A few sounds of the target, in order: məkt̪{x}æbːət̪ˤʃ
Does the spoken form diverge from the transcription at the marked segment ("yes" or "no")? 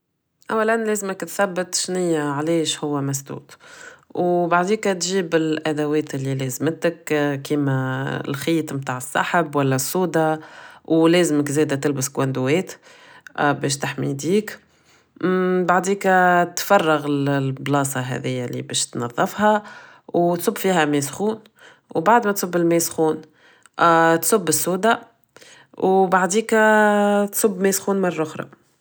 yes